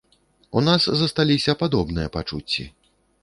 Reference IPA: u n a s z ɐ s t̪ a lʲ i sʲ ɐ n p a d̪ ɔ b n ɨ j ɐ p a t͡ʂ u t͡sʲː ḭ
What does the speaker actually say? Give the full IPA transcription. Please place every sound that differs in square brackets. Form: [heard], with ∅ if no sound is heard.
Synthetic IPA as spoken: u n a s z ɐ s t̪ a lʲ i sʲ ɐ [∅] p a d̪ ɔ b n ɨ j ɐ p a t͡ʂ u t͡sʲː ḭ